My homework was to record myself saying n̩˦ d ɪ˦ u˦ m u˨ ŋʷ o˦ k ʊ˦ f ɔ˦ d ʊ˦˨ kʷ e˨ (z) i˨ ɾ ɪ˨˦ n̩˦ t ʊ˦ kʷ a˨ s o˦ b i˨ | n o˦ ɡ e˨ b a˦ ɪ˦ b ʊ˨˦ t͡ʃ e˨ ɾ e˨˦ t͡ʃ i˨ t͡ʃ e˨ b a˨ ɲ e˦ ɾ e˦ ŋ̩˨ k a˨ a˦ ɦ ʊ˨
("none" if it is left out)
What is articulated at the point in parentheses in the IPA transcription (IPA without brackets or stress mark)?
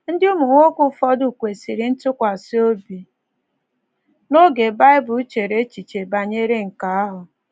s